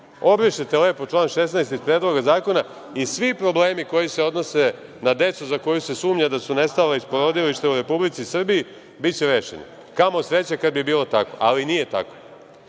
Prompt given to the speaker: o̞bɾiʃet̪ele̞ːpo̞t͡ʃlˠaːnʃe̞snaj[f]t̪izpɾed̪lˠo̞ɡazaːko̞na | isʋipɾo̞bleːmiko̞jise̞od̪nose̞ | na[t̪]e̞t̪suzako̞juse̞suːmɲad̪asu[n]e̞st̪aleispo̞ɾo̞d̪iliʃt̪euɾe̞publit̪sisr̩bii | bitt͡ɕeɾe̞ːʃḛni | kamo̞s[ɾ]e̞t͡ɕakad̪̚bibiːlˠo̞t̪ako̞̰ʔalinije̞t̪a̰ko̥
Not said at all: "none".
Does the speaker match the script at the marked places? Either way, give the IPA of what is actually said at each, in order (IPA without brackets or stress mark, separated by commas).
s, d̪, n, ɾ